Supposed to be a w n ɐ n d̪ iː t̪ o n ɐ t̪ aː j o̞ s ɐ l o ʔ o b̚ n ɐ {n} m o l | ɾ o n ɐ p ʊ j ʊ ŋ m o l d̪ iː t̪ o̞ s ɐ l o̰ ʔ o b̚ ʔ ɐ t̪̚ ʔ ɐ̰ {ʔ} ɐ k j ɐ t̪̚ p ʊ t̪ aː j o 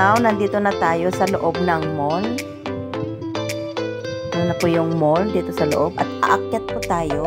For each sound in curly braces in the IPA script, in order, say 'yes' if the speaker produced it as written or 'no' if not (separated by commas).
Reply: no, yes